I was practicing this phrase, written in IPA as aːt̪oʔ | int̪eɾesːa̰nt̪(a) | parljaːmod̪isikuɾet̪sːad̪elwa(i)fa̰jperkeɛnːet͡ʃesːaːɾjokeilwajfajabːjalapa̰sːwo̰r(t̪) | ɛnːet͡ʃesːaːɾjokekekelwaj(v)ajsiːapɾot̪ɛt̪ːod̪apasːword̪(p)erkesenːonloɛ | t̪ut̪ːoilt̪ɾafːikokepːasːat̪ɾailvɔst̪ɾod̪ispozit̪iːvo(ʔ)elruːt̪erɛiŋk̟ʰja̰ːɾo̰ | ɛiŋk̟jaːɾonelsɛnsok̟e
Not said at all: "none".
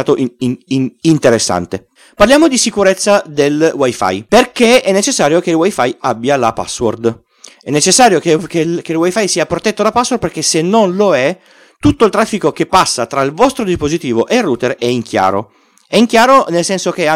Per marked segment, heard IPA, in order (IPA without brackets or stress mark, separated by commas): e, j, d̪, f, p, ʔ